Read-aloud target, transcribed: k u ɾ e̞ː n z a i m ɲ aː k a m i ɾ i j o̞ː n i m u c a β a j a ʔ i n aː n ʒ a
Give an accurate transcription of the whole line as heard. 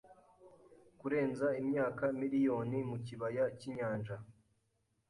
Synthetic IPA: k u ɾ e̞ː n z a i m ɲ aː k a m i ɾ i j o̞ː n i m u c i β a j a c i ɲ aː n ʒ a

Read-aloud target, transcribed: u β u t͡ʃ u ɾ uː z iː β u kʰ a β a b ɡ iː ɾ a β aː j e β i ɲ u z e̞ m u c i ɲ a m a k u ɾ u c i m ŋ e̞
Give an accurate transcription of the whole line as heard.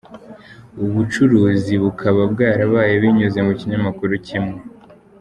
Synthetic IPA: u β u t͡ʃ u ɾ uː z i β u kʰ a β a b ɡ aː ɾ a β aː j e β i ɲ u z e̞ m u c i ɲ a m a k u ɾ u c i m ŋ e̞

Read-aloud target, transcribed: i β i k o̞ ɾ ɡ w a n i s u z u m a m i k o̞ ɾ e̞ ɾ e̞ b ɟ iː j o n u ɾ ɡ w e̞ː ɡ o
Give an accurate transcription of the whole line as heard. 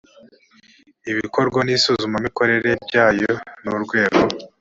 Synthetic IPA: i β i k o̞ ɾ ɡ w a n i s u z u m a m i k o̞ ɾ e̞ ɾ e̞ b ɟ aː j o n u ɾ ɡ w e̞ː ɡ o

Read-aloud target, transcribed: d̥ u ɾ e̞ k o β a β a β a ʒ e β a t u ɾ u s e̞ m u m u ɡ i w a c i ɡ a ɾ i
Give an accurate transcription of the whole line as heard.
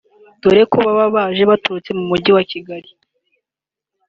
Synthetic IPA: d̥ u ɾ e̞ k o β a β a β a ʒ e β a t u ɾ u t͡s e̞ m u m u ɟ i w a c i ɡ a ɾ i

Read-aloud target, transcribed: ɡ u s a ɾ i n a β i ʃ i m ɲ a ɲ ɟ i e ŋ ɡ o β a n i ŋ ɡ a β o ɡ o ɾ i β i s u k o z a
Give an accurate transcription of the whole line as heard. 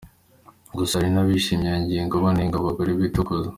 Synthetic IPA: ɡ u s a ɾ i n a β i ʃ i m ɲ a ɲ ɟ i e ŋ ɡ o β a n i ŋ ɡ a β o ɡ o ɾ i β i t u k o z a

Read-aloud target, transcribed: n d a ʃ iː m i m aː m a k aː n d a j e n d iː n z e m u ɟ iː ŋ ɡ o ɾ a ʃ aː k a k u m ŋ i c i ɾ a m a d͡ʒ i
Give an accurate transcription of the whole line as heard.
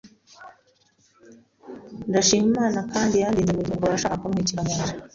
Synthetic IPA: n d a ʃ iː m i m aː n a k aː n d i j a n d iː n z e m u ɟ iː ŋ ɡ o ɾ a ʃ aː k a k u m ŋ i c i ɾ a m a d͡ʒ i

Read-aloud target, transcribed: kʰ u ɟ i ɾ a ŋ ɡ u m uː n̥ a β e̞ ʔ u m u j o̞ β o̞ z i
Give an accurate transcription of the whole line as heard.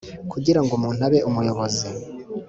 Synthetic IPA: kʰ u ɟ i ɾ a ŋ ɡ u m uː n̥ a β e̞ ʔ u m u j o̞ β o̞ z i

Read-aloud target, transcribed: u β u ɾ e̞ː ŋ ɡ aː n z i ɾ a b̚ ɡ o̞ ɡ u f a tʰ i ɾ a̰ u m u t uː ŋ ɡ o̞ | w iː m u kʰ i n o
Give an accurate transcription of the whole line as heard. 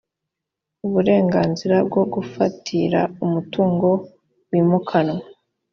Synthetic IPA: u β u ɾ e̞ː ŋ ɡ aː n z i ɾ a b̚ ɡ o̞ ɡ u f a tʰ i ɾ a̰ u m u t uː ŋ ɡ o̞ | w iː m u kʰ a n o

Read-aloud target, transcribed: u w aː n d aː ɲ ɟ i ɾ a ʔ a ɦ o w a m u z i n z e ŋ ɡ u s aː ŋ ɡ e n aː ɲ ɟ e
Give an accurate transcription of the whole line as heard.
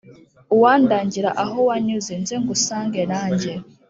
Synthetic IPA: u w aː n d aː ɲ ɟ i ɾ a ʔ a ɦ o w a ɲ u z i n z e ŋ ɡ u s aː ŋ ɡ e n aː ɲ ɟ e

